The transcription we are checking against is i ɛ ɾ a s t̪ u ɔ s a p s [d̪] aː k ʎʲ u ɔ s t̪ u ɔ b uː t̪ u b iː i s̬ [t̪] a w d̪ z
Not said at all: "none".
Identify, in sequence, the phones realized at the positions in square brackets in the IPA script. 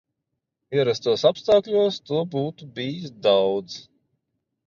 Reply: t̪, d̪

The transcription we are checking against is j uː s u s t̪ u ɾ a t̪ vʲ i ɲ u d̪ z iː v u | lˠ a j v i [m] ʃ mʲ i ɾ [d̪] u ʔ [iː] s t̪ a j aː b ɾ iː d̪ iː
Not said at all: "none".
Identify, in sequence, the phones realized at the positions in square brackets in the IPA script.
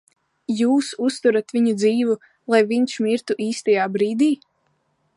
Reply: ɲ, t̪, iː

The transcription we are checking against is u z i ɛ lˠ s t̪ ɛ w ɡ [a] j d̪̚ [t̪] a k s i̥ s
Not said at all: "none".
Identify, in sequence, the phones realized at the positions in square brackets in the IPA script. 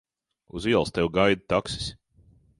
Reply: a, t̪

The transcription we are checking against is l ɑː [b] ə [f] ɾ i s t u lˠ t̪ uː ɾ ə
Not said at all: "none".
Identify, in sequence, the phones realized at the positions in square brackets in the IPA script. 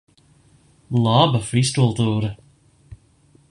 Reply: b, f

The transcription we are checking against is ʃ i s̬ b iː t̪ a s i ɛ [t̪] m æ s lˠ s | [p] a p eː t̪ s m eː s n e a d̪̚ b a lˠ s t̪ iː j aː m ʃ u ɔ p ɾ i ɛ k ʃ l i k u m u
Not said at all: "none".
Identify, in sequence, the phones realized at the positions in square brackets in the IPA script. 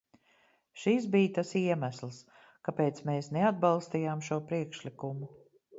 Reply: none, k

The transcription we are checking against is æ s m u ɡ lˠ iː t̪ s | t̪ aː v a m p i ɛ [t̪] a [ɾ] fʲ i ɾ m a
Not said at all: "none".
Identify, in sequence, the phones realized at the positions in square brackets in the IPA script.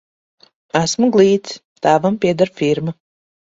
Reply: d̪, ɾ

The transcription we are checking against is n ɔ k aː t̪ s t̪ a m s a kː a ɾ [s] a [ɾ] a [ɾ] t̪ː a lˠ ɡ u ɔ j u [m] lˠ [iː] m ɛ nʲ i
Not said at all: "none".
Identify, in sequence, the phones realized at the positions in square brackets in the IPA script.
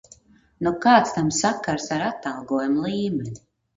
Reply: s, ɾ, none, m, iː

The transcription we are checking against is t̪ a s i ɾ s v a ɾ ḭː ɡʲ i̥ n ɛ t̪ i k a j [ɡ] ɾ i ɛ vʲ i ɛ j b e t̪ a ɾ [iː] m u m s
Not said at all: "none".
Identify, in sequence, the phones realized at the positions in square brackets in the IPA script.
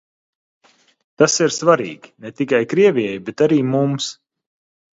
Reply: k, iː

